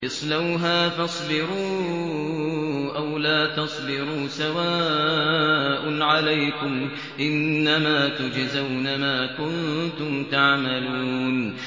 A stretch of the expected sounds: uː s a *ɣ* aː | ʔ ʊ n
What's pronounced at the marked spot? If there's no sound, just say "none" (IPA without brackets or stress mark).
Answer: w